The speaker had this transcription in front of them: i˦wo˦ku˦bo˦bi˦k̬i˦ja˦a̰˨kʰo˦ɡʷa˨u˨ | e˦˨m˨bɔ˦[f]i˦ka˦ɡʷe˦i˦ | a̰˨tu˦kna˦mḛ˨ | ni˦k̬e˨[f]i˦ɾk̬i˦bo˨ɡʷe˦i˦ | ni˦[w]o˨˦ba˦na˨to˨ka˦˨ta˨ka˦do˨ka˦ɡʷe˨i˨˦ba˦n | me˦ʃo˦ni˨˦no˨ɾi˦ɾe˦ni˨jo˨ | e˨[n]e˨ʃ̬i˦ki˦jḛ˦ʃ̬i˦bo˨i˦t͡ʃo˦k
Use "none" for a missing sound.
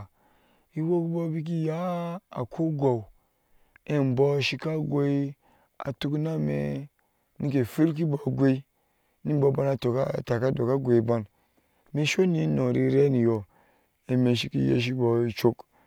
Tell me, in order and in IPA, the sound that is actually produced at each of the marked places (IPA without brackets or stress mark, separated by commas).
ʃ, f, b, m